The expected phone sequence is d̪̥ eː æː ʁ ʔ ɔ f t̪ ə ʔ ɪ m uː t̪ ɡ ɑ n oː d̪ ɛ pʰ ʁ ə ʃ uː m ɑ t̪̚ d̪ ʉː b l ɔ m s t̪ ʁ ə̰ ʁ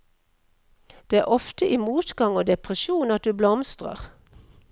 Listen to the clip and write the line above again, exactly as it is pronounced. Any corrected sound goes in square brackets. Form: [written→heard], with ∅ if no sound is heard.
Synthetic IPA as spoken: d̪̥ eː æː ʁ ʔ ɔ f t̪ ə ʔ ɪ m uː t̪ ɡ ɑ [n→ŋ] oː d̪ ɛ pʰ ʁ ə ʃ uː [m→n] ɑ t̪̚ d̪ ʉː b l ɔ m s t̪ ʁ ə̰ ʁ